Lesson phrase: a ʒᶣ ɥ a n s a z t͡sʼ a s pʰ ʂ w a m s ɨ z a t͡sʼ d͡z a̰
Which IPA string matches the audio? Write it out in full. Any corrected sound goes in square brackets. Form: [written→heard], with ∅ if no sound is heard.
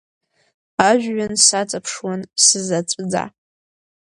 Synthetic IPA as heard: a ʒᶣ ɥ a n s a [z→∅] t͡sʼ a [s→∅] pʰ ʂ w a [m→n] s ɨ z a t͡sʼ d͡z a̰